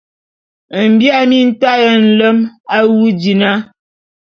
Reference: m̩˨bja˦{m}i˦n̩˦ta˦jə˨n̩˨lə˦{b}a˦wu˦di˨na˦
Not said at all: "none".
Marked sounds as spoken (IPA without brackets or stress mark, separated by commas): m, m